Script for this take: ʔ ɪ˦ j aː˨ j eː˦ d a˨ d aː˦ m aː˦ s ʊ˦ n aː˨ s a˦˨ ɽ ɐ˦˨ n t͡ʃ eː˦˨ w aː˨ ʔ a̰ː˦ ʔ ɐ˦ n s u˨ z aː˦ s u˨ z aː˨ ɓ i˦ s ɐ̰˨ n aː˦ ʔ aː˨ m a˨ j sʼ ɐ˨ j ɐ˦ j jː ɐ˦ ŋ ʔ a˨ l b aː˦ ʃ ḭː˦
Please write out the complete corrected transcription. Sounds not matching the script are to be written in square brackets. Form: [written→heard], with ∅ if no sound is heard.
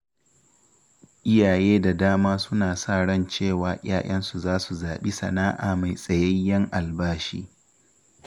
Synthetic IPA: ʔ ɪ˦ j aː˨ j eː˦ d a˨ d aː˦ m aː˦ s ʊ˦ n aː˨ s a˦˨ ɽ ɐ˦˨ n t͡ʃ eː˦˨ w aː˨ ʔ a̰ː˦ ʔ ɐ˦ n s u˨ z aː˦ s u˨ z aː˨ ɓ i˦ s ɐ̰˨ n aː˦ ʔ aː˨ m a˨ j sʼ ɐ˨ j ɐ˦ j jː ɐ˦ ŋ ʔ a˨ l b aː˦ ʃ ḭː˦